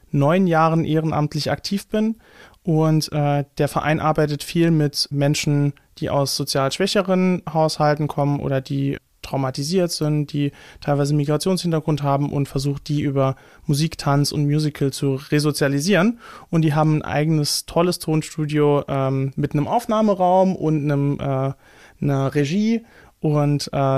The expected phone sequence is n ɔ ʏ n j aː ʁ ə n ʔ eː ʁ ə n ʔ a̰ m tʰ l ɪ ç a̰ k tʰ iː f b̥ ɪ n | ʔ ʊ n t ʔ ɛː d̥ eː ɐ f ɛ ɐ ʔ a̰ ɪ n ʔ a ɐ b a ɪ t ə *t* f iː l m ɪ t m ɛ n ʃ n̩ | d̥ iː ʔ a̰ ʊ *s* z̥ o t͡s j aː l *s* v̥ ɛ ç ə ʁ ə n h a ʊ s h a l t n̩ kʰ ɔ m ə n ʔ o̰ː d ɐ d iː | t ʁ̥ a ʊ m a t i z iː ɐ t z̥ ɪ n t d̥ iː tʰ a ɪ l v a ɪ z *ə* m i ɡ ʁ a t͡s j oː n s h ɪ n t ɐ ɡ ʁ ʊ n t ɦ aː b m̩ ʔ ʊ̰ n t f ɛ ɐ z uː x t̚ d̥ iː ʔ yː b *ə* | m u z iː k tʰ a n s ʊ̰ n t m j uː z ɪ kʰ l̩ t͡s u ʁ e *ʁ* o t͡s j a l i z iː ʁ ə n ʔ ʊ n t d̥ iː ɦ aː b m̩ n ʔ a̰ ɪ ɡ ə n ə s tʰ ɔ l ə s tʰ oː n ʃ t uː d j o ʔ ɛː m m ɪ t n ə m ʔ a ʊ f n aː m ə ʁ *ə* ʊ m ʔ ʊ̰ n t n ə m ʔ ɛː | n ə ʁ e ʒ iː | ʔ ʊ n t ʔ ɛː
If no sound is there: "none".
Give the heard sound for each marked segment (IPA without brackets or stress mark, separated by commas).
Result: t, s, ʃ, ə, ɐ, z, a